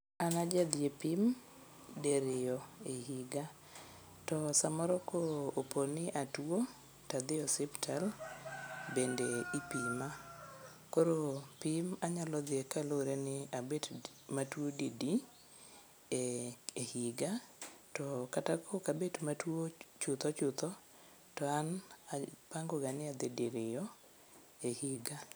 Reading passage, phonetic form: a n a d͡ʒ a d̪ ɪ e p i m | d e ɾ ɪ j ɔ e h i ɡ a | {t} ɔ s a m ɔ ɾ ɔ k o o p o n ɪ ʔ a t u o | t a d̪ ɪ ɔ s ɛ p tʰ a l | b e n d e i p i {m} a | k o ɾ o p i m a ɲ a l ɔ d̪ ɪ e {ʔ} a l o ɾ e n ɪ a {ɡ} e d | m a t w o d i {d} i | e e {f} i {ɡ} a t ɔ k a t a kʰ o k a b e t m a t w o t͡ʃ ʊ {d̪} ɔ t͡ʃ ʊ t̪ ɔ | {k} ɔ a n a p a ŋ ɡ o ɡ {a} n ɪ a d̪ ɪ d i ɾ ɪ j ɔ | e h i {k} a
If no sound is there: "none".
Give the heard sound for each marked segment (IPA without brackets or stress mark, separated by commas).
t, m, k, b, d, h, ɡ, t̪, t, a, ɡ